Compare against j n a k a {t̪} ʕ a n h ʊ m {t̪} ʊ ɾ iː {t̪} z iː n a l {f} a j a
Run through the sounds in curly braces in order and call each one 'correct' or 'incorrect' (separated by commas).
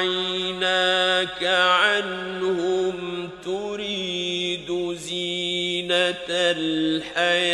incorrect, correct, incorrect, incorrect